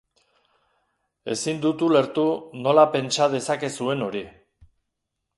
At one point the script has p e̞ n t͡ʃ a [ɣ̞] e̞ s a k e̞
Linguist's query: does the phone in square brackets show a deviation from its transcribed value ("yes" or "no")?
yes